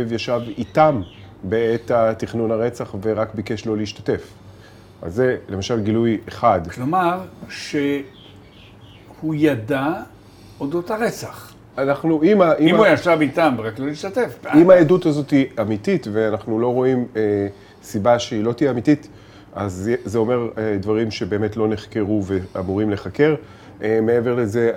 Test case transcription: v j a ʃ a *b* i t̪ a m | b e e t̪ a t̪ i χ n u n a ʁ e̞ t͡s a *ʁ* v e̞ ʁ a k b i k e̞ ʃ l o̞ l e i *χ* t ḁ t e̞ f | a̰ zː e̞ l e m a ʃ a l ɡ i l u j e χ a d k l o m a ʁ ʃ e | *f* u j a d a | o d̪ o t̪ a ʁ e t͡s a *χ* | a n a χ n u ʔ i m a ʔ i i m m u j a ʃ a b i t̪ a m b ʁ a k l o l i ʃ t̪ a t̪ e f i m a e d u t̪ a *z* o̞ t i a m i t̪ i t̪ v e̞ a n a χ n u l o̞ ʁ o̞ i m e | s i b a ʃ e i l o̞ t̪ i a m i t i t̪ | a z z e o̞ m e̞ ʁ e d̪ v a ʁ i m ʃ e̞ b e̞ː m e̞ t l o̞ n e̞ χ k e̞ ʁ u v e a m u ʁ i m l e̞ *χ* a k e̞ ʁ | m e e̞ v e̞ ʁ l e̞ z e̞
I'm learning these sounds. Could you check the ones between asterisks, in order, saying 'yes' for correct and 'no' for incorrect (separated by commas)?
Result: no, no, no, no, yes, yes, yes